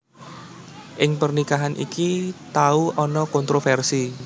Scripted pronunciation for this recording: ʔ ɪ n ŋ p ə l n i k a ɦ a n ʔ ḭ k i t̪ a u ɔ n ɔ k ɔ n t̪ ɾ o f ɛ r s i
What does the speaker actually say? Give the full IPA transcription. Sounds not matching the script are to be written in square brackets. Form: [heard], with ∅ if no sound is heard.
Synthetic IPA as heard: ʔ ɪ [∅] ŋ p ə [r] n i k a ɦ a n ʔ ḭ k i t̪ a u ɔ n ɔ k ɔ n t̪ ɾ o f ɛ r s i